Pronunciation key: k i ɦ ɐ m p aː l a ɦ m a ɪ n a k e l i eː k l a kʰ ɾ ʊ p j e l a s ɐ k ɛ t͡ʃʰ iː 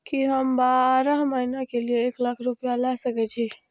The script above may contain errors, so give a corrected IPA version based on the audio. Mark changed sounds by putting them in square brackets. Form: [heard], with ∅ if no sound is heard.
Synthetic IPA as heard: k i ɦ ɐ m [b] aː [ɾ] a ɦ m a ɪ n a k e l i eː k l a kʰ ɾ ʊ p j [a] l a s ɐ k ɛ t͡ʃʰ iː